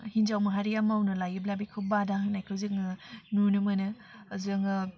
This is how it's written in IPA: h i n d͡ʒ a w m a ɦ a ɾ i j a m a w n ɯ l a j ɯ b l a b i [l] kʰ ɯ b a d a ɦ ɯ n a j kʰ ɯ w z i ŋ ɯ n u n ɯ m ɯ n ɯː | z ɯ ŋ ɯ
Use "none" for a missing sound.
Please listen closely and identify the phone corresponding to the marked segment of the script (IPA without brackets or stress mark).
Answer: none